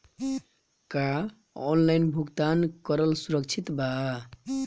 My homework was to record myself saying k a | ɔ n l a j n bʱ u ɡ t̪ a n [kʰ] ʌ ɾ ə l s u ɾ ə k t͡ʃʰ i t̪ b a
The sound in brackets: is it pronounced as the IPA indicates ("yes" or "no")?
no